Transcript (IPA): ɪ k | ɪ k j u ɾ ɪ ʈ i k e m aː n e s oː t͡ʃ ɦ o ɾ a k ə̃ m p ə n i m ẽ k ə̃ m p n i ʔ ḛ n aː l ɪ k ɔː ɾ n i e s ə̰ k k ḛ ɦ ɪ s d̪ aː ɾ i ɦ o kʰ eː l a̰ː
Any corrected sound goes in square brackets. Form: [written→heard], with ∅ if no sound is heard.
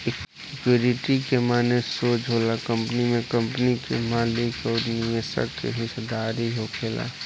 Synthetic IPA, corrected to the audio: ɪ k | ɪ k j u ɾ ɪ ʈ i k e m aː n e s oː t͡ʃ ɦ o [ɾ→l] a k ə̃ m p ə n i m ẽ k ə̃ m p n i [ʔ→k] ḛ [n→m] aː l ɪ k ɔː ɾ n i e s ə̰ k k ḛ ɦ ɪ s d̪ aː ɾ i ɦ o kʰ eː l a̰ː